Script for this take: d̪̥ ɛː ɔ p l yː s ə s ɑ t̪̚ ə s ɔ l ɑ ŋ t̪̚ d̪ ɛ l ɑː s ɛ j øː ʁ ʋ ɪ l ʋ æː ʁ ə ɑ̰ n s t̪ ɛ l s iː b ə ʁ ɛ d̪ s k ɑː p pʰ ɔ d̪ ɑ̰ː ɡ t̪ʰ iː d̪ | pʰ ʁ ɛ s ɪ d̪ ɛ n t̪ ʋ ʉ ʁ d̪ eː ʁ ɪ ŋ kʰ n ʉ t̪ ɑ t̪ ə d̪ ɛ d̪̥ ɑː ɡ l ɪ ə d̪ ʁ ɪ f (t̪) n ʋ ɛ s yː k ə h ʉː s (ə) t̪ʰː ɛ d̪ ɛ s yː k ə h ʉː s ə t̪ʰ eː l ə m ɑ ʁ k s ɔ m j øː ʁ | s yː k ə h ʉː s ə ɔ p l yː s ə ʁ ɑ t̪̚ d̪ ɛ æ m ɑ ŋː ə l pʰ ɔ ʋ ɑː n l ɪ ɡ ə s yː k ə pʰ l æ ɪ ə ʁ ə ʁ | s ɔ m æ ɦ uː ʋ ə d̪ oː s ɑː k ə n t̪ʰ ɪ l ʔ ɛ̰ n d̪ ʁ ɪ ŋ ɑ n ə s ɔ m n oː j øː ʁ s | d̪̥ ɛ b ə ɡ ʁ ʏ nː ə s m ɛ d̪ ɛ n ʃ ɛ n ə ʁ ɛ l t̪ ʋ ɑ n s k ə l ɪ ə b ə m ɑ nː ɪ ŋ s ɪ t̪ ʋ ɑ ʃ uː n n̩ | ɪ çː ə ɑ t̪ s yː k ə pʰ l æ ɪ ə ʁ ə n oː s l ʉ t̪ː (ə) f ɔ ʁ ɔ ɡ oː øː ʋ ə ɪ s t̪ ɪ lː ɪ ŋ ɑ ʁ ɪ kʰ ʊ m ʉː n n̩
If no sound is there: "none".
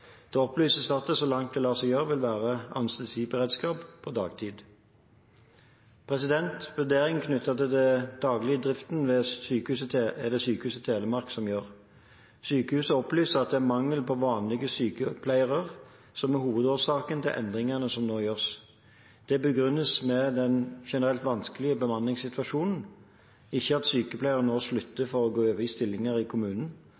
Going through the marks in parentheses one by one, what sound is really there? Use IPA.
t̪, ə, ə

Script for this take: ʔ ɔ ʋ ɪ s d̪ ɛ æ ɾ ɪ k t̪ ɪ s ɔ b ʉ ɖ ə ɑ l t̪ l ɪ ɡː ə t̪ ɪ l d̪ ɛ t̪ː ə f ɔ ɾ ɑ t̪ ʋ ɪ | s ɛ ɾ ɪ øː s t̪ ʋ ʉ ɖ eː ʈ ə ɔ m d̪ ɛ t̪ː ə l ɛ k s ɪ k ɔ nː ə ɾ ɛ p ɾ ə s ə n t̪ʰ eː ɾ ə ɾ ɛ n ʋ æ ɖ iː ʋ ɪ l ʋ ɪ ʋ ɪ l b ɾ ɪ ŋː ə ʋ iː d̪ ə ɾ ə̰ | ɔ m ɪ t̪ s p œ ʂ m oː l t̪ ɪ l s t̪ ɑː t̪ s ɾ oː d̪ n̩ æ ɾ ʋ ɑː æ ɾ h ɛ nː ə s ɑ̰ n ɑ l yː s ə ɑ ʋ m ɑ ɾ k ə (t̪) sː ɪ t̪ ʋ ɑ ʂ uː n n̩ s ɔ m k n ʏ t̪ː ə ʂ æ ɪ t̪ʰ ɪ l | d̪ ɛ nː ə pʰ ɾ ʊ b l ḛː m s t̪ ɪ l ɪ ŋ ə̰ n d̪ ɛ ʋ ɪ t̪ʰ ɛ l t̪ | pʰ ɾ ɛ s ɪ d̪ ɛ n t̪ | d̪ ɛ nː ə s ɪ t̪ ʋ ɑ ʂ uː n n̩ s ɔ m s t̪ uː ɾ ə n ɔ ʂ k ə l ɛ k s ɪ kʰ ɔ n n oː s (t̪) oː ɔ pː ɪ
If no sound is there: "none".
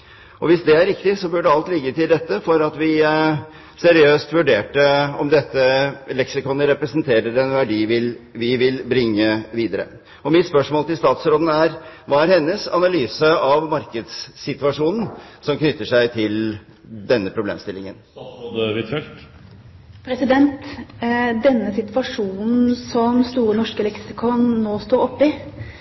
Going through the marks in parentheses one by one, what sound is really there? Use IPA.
d̪, t̪

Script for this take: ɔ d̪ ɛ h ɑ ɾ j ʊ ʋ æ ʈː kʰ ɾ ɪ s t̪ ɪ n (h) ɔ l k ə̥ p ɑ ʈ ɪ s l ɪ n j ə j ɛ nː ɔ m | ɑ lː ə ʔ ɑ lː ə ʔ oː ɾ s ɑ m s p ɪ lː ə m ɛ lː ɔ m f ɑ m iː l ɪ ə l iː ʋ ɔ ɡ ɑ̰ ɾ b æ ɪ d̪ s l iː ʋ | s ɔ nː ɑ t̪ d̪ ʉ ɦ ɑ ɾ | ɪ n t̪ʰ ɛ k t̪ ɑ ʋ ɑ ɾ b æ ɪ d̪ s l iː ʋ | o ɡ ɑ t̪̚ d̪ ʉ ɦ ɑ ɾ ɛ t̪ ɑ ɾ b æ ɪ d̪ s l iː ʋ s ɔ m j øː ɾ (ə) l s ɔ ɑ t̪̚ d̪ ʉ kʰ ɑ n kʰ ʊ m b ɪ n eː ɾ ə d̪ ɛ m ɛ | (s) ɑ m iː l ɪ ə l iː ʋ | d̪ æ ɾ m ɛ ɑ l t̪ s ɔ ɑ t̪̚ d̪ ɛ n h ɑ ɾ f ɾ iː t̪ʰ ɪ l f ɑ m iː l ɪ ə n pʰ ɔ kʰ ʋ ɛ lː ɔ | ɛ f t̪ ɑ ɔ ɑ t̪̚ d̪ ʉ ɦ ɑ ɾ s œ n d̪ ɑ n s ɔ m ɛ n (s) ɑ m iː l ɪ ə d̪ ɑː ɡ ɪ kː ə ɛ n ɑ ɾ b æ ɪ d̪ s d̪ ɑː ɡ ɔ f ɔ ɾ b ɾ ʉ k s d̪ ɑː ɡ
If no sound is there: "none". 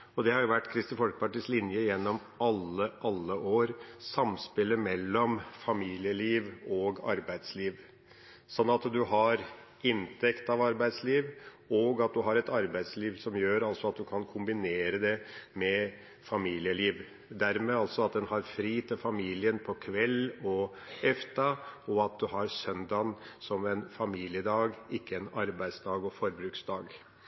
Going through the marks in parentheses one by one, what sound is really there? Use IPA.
f, ɑ, f, f

